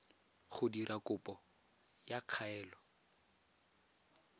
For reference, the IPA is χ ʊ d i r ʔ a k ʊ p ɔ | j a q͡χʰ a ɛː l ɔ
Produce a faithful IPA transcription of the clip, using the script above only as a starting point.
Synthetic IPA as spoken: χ ʊ d i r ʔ a k ʊ p ɔ | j a q͡χʰ a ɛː l ɔ